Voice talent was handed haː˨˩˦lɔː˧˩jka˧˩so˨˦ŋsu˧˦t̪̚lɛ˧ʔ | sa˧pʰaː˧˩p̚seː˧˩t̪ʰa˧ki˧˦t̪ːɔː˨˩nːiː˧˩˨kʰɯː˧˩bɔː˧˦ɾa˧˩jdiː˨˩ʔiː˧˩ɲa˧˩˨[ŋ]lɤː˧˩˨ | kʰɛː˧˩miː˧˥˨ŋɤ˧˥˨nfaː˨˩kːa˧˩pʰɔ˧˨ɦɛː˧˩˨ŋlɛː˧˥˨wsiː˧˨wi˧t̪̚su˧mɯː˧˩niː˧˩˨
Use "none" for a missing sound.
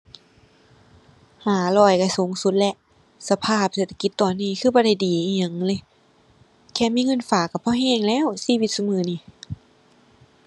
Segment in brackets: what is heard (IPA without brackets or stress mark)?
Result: ŋ